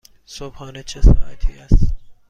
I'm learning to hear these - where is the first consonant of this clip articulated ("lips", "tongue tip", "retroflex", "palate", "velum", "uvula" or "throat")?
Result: tongue tip